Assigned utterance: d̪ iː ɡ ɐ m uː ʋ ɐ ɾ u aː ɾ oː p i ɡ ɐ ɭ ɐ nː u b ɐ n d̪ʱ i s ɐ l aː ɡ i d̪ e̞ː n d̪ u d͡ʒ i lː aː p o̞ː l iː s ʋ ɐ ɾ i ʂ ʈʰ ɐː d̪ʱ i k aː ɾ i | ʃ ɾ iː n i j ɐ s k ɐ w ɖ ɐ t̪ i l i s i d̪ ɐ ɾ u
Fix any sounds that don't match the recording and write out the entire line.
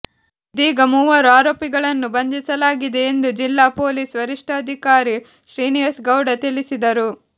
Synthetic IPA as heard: d̪ iː ɡ ɐ m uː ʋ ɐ ɾ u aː ɾ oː p i ɡ ɐ ɭ ɐ nː u b ɐ n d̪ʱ i s ɐ l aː ɡ i d̪ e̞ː n d̪ u d͡ʒ i lː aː p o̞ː l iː s ʋ ɐ ɾ i ʂ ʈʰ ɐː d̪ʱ i k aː ɾ i | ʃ ɾ iː n i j ɐ s ɡ ɐ w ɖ ɐ t̪ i l i s i d̪ ɐ ɾ u